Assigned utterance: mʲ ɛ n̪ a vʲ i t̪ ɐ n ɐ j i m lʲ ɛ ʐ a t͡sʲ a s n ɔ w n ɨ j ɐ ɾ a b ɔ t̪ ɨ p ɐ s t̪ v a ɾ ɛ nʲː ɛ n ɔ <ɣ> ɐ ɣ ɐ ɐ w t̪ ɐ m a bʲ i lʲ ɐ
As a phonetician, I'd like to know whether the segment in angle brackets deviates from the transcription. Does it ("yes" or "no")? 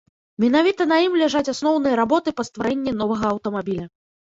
yes